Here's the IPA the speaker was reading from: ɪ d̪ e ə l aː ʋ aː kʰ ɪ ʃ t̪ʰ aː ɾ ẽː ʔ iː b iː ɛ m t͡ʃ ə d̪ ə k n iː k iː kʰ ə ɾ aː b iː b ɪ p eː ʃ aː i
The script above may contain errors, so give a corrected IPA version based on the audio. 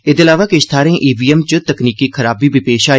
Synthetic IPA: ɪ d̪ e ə l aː ʋ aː k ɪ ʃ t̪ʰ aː ɾ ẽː ʔ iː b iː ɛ m t͡ʃ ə t̪ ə k n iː k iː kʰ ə ɾ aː b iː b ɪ p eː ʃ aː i